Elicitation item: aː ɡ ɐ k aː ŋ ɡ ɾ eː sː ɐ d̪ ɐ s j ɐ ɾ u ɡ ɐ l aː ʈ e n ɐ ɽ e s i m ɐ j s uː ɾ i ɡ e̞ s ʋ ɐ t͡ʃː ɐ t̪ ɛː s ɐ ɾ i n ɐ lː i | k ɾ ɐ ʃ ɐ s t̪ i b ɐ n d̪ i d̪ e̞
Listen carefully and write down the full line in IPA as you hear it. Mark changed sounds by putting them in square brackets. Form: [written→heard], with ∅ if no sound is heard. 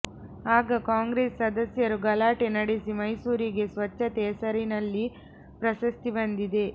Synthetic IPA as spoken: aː ɡ ɐ k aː ŋ ɡ ɾ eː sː ɐ d̪ ɐ s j ɐ ɾ u ɡ ɐ l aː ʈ e n ɐ ɽ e s i m ɐ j s uː ɾ i ɡ e̞ s ʋ ɐ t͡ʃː ɐ t̪ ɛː s ɐ ɾ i n ɐ lː i | [k→p] ɾ ɐ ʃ ɐ s t̪ i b ɐ n d̪ i d̪ e̞